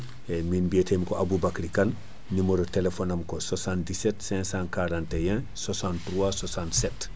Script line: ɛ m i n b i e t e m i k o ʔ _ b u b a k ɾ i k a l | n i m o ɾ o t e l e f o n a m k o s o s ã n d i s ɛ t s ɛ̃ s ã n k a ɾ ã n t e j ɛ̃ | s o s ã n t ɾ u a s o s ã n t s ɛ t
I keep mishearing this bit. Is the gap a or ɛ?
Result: a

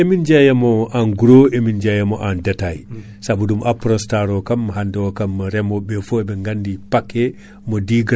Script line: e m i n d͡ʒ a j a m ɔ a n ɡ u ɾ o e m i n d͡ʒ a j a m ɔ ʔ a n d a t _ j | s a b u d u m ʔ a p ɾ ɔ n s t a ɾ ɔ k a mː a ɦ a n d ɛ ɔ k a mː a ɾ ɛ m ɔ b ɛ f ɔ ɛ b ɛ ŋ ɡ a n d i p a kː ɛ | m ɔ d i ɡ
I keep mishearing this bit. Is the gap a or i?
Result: a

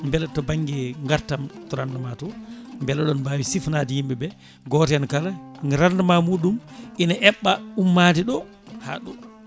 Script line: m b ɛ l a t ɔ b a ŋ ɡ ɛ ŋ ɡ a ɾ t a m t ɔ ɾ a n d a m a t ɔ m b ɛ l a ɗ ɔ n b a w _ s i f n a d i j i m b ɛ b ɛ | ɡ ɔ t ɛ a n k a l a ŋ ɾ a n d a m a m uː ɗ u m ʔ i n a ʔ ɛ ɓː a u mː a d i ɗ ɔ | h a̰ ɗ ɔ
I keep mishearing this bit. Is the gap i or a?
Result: i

